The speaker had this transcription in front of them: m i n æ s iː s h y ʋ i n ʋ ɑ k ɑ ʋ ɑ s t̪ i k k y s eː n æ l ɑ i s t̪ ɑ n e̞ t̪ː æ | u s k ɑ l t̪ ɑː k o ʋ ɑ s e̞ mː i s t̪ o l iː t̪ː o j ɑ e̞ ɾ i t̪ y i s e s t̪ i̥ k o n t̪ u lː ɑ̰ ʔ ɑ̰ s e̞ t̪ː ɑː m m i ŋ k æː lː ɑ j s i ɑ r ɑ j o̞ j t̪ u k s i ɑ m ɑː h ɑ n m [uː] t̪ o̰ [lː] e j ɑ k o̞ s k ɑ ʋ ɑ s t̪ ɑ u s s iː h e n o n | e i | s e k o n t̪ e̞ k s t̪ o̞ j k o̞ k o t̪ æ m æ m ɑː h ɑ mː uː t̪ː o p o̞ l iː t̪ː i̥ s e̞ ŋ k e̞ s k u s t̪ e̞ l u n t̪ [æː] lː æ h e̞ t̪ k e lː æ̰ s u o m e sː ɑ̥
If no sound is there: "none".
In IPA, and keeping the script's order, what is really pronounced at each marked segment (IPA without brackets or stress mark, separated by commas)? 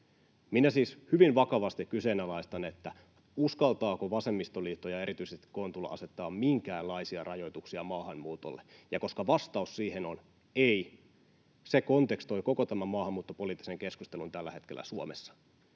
uː, lː, æ